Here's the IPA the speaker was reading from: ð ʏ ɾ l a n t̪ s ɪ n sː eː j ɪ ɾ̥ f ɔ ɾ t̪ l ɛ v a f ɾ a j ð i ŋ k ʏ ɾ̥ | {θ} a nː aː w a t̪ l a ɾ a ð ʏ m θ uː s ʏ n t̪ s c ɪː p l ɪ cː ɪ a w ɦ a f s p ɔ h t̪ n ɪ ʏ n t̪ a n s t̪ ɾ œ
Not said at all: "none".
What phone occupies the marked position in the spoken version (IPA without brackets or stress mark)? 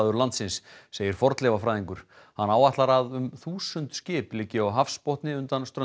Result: h